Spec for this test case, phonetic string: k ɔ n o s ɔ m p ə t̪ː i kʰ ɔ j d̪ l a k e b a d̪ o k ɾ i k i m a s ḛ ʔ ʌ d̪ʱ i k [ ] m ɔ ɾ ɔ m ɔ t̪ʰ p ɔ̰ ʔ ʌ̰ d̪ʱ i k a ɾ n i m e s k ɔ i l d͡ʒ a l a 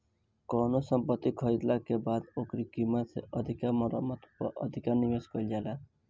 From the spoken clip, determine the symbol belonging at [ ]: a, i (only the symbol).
a